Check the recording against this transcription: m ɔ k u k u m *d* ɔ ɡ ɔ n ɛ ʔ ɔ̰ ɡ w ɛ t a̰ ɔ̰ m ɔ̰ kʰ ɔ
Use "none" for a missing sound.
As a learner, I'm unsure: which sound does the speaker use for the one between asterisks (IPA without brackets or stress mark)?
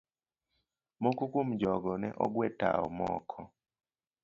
d͡ʒ